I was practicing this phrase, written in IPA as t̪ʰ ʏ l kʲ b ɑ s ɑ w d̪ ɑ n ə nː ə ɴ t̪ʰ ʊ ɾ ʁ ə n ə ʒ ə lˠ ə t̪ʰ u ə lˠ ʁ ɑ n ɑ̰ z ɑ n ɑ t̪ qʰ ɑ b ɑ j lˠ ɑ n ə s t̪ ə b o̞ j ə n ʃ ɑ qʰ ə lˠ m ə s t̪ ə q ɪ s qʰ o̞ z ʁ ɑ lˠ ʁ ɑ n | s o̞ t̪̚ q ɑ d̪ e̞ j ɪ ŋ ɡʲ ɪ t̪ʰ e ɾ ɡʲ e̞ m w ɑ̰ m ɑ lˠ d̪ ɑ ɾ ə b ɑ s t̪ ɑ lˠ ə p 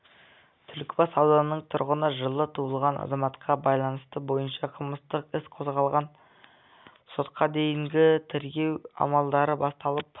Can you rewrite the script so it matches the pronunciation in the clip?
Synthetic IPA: t̪ʰ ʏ l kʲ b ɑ s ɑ w d̪ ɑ n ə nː ə ɴ t̪ʰ ʊ ɾ ʁ ə n ə ʒ ə lˠ ə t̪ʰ u ə lˠ ʁ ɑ n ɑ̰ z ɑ m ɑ t̪ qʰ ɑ b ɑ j lˠ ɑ n ə s t̪ ə b o̞ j ə n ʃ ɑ qʰ ə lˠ m ə s t̪ ə q ɪ s qʰ o̞ z ʁ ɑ lˠ ʁ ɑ n | s o̞ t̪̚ q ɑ d̪ e̞ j ɪ ŋ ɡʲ ɪ t̪ʰ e ɾ ɡʲ e̞ w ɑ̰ m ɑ lˠ d̪ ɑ ɾ ə b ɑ s t̪ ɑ lˠ ə p